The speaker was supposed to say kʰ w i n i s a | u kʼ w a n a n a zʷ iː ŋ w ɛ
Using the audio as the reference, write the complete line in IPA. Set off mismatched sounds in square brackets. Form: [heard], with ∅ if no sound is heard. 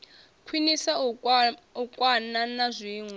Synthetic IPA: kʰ w i n i s a | u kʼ w a n a n a zʷ iː ŋ w ɛ